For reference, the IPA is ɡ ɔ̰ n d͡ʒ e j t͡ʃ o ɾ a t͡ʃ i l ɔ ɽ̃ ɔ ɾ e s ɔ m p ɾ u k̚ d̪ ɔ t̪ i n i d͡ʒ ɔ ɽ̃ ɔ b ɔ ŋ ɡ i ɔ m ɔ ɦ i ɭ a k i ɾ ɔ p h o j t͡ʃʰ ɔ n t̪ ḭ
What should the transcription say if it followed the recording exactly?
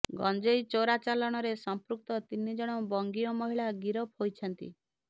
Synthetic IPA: ɡ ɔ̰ n d͡ʒ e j t͡ʃ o ɾ a t͡ʃ a l ɔ ɽ̃ ɔ ɾ e s ɔ m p ɾ u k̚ t̪ ɔ t̪ i n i d͡ʒ ɔ ɽ̃ ɔ b ɔ ŋ ɡ i ɔ m ɔ ɦ i ɭ a ɡ i ɾ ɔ p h o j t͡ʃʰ ɔ n t̪ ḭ